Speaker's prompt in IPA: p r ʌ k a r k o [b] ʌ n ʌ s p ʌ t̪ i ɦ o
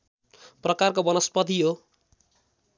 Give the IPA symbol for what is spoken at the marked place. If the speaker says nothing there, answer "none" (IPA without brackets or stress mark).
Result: b